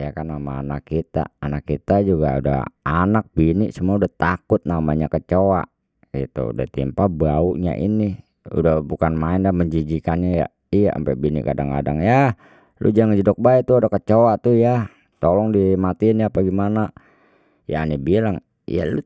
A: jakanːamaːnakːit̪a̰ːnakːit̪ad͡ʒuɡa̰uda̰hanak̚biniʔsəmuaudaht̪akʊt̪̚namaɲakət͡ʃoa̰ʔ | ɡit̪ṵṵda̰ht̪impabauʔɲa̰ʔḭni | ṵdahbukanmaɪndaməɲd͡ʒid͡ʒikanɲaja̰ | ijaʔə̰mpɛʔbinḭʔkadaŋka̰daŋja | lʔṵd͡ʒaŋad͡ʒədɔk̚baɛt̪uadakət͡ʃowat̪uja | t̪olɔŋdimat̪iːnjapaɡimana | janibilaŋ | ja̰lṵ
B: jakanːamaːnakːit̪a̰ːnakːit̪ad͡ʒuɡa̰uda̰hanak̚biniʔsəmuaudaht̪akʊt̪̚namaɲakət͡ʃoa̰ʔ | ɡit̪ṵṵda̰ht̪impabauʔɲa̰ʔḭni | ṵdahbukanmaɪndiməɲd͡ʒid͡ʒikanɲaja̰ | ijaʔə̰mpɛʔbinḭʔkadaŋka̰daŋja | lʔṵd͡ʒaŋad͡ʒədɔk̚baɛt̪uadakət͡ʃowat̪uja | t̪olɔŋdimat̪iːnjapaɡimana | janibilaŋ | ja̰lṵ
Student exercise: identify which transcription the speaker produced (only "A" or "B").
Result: A